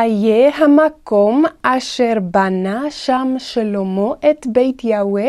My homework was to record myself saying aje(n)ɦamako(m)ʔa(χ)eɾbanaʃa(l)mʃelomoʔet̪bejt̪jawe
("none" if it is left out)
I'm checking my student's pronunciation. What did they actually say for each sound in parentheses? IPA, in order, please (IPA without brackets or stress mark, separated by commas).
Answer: none, m, ʃ, none